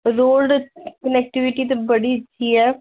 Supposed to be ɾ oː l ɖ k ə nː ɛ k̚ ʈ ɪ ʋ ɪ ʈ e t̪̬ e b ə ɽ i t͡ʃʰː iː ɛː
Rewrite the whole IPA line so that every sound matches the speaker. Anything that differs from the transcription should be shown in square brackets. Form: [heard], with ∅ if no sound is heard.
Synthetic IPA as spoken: ɾ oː l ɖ k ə [n] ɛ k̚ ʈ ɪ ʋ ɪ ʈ [i] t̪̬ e b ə ɽ i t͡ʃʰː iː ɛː